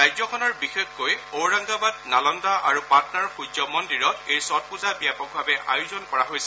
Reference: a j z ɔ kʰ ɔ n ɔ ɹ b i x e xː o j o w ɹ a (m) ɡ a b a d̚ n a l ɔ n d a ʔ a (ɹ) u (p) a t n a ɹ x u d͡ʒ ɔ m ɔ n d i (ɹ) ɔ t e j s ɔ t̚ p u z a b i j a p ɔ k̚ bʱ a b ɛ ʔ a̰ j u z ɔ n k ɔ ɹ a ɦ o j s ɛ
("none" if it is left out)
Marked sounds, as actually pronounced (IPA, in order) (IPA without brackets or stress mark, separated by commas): ŋ, ɹ, p, ɹ